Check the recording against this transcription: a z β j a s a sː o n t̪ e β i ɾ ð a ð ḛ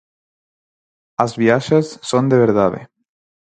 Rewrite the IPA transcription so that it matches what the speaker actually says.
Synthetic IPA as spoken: a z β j a ʃ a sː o n d̪ e β e ɾ ð a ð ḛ